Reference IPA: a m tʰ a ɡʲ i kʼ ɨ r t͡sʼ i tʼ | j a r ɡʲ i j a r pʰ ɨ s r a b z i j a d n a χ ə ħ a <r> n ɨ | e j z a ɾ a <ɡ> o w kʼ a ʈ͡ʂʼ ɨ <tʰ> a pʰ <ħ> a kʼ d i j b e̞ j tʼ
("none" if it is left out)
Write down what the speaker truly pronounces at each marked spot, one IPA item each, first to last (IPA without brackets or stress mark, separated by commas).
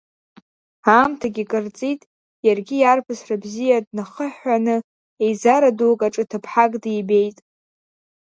none, d, tʰ, ħ